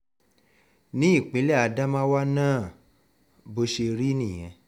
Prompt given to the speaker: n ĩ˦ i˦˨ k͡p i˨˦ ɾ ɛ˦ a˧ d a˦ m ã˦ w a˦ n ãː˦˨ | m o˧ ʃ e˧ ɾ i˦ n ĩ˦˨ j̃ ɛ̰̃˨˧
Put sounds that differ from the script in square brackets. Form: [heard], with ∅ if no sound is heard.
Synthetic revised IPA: n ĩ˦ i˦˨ k͡p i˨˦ [l] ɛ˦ a˧ d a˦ m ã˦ w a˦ n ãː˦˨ | [b] o˧ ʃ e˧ ɾ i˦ n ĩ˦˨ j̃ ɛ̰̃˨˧